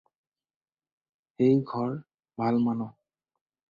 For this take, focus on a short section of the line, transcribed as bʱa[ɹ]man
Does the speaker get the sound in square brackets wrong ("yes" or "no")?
yes